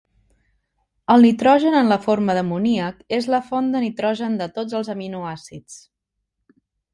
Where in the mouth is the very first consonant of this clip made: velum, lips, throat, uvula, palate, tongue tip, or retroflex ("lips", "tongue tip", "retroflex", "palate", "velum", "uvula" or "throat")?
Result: tongue tip